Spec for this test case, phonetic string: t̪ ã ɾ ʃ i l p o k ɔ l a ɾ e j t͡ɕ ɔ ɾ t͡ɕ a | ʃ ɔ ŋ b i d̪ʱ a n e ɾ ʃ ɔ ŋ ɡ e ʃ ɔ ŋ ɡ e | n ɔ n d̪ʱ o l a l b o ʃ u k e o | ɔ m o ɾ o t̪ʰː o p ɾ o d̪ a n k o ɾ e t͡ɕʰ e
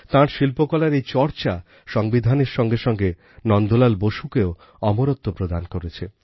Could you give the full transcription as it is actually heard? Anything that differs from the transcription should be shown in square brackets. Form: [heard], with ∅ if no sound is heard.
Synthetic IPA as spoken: t̪ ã ɾ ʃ i l p o k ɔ l a ɾ e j t͡ɕ ɔ ɾ t͡ɕ a | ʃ ɔ ŋ b i d̪ʱ a n e ɾ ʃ ɔ ŋ ɡ e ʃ ɔ ŋ ɡ e | n ɔ n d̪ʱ o l a l b o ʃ u k e o | ɔ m o ɾ o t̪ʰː o p ɾ o d̪ a n k o ɾ e t͡ɕʰ e